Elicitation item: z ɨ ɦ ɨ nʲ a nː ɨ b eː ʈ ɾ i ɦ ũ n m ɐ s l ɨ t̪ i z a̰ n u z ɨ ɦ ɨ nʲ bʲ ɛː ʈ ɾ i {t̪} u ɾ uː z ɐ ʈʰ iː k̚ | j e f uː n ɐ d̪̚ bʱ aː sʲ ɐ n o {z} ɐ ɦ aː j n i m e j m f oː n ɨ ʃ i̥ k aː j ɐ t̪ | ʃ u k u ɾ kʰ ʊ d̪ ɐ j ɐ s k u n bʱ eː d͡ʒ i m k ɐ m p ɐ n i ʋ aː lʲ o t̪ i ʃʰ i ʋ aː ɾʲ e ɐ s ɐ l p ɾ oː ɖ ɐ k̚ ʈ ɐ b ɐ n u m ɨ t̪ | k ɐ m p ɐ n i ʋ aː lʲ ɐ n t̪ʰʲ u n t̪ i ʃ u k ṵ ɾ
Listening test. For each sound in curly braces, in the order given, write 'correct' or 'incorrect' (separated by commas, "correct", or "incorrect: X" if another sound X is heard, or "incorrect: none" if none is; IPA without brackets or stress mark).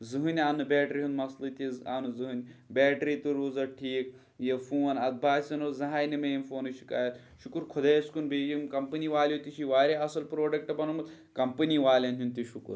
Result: correct, correct